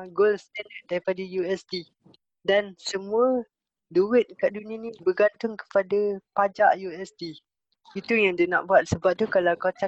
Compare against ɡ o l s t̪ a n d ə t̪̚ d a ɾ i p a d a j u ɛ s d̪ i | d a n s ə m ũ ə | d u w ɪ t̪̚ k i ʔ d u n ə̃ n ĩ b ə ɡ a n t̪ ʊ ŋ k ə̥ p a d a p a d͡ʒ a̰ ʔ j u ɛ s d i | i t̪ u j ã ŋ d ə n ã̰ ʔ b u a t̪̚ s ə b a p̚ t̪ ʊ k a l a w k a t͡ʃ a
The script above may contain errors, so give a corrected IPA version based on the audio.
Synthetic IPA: ɡ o l s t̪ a n d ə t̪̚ d a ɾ i p a d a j u ɛ s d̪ i | d a n s ə m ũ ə | d u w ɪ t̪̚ k a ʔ d u n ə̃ n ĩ b ə ɡ a n t̪ ʊ ŋ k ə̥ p a d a p a d͡ʒ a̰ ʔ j u ɛ s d i | i t̪ u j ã ŋ d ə n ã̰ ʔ b u a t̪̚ s ə b a p̚ t̪ u k a l a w k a t͡ʃ a